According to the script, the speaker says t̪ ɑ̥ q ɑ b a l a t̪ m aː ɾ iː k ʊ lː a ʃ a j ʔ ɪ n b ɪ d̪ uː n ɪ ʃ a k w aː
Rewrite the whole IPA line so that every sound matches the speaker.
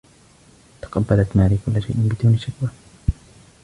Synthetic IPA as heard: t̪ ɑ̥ q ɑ bː a l a t̪ m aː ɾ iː k ʊ lː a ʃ a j ʔ ɪ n b ɪ d̪ uː n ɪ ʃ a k w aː